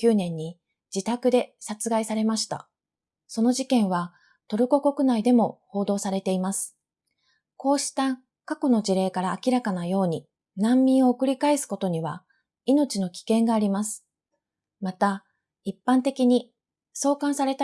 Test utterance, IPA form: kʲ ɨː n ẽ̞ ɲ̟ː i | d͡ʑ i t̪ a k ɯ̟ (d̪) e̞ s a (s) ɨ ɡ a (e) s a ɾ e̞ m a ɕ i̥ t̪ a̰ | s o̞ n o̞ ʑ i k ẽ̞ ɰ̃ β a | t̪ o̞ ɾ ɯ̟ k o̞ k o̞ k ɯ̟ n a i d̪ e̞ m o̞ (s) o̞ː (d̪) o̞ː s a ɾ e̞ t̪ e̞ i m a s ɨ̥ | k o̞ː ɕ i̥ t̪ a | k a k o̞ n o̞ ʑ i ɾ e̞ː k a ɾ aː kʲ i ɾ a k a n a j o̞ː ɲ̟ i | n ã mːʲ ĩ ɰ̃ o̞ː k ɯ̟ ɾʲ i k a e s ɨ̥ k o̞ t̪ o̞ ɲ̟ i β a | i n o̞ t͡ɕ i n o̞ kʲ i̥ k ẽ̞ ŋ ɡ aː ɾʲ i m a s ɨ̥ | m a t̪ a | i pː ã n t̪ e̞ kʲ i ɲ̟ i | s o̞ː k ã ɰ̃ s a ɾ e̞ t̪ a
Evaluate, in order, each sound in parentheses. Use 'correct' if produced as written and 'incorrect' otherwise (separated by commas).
correct, incorrect, incorrect, incorrect, correct